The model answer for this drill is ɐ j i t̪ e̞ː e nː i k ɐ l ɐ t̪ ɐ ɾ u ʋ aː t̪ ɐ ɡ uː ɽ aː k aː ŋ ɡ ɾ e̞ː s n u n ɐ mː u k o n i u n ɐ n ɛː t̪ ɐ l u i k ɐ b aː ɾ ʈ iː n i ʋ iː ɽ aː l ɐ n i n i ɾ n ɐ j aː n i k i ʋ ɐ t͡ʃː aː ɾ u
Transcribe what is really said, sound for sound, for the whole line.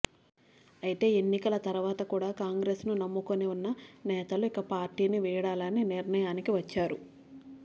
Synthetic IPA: ɐ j i t̪ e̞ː e nː i k ɐ l ɐ t̪ ɐ ɾ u ʋ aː t̪ ɐ k uː ɽ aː k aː ŋ ɡ ɾ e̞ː s n u n ɐ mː u k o n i u nː ɐ n ɛː t̪ ɐ l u i k ɐ p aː ɾ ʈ iː n i ʋ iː ɽ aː l ɐ n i n i ɾ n ɐ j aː n i k i ʋ ɐ t͡ʃː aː ɾ u